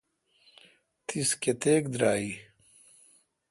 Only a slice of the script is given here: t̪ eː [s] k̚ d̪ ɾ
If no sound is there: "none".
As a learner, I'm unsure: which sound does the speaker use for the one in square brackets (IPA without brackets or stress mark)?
none